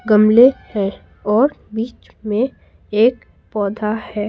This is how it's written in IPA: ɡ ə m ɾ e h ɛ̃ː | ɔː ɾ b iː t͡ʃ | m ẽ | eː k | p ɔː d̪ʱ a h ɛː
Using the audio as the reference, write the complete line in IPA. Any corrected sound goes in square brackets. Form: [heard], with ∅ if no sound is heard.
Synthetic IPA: ɡ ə m [l] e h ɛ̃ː | ɔː ɾ b iː t͡ʃ | m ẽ | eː k | p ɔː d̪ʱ a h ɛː